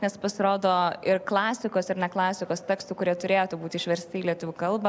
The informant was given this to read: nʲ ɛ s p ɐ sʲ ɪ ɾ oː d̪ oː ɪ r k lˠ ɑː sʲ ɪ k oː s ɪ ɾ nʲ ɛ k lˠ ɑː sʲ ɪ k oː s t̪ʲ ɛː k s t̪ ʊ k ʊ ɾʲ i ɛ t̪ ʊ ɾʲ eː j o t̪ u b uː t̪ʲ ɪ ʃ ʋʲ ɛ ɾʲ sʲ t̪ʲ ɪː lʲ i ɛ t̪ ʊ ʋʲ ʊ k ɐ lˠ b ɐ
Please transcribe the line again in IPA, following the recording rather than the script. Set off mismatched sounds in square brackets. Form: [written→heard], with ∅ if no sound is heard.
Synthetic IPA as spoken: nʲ ɛ s p ɐ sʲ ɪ ɾ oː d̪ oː ɪ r k lˠ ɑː sʲ ɪ k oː s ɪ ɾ nʲ ɛ k lˠ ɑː sʲ ɪ k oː s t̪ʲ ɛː k s t̪ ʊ k ʊ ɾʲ i ɛ t̪ ʊ ɾʲ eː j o t̪ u b uː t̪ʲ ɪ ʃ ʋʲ ɛ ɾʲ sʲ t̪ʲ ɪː lʲ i ɛ t̪ ʊ ʋʲ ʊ k ɐ lˠ b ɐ